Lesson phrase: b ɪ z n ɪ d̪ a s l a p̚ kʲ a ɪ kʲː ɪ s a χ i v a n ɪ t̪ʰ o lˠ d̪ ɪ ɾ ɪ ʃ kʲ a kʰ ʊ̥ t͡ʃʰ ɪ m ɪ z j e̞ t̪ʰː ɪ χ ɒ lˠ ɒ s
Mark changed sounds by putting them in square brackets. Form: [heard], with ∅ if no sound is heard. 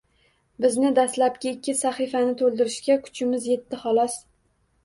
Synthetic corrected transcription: b ɪ z n ɪ d̪ a s l a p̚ kʲ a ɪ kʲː ɪ s a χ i [f] a n ɪ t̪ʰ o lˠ d̪ ɪ ɾ ɪ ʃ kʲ a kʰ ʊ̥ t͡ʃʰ ɪ m ɪ z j e̞ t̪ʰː ɪ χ ɒ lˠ ɒ s